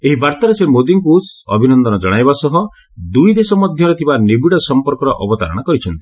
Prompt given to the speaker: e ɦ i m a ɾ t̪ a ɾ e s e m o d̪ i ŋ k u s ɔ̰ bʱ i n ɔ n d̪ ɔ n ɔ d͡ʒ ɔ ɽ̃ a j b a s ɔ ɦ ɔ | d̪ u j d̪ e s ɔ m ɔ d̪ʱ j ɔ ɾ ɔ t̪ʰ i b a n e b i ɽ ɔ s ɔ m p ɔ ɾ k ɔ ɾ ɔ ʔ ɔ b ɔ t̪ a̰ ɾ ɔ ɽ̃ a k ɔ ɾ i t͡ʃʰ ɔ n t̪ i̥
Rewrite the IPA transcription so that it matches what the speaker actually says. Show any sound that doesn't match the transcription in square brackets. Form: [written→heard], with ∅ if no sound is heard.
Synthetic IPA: e ɦ i [m→b] a ɾ t̪ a ɾ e s e m o d̪ i ŋ k u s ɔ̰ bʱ i n ɔ n d̪ ɔ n ɔ d͡ʒ ɔ ɽ̃ a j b a s ɔ ɦ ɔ | d̪ u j d̪ e s ɔ m ɔ d̪ʱ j ɔ ɾ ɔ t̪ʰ i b a n e b i ɽ ɔ s ɔ m p ɔ ɾ k ɔ ɾ ɔ ʔ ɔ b ɔ t̪ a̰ ɾ ɔ ɽ̃ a k ɔ ɾ i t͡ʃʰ ɔ n t̪ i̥

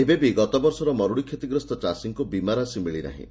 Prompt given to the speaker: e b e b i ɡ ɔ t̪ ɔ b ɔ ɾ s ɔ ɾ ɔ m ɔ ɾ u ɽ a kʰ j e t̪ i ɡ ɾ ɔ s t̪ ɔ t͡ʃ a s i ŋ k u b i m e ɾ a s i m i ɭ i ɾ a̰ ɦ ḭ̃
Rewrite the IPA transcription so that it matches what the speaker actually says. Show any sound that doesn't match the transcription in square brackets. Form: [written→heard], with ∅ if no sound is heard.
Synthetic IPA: e b e b i ɡ ɔ t̪ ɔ b ɔ ɾ s ɔ ɾ ɔ m ɔ ɾ u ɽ [a→i] kʰ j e t̪ i ɡ ɾ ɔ s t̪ ɔ t͡ʃ a s i ŋ k u b i m [e→a] ɾ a s i m i ɭ i ɾ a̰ ɦ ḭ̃

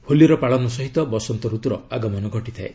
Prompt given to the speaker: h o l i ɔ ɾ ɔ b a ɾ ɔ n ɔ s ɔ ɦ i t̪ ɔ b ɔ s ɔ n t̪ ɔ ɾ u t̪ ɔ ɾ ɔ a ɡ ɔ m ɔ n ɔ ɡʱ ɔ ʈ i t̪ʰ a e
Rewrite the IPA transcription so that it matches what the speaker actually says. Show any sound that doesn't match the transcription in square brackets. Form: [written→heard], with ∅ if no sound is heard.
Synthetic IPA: h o l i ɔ ɾ ɔ [b→p] a [ɾ→ɭ] ɔ n ɔ s ɔ ɦ i t̪ ɔ b ɔ s ɔ n t̪ ɔ ɾ u t̪ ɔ ɾ ɔ a ɡ ɔ m ɔ n ɔ ɡʱ ɔ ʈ i t̪ʰ a e

